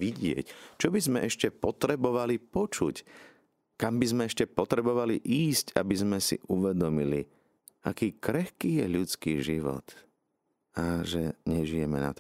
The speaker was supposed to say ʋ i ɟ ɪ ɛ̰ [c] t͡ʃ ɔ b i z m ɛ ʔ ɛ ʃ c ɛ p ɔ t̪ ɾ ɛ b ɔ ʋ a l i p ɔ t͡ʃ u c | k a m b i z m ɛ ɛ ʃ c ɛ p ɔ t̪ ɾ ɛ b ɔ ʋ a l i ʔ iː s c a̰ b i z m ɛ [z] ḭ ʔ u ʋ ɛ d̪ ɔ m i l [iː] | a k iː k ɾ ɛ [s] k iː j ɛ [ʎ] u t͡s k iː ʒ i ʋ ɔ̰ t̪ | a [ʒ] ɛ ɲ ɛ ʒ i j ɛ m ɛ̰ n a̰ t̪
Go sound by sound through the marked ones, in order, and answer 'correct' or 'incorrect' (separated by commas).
correct, incorrect, incorrect, incorrect, correct, correct